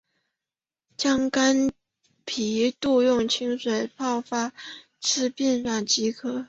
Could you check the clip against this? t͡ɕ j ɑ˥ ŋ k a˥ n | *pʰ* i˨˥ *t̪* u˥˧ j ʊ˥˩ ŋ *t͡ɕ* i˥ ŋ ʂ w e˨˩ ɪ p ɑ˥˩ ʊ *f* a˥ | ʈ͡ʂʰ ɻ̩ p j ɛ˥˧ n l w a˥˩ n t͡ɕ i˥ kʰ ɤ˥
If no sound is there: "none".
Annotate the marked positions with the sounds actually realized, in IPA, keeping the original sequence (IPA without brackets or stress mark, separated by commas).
pʰ, t̪, t͡ɕʰ, f